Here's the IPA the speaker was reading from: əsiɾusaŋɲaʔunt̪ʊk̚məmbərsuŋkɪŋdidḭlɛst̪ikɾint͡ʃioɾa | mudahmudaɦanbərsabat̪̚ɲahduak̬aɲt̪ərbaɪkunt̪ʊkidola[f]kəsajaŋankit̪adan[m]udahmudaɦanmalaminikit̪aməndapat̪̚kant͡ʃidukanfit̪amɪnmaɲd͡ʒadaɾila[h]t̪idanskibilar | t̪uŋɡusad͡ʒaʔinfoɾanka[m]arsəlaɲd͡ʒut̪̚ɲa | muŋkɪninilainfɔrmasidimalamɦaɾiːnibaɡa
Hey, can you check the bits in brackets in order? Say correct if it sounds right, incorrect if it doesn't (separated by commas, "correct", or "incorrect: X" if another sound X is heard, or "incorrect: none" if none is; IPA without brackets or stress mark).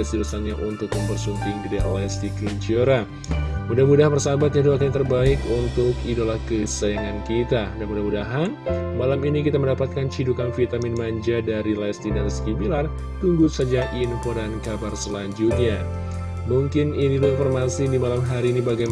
incorrect: h, correct, incorrect: s, incorrect: b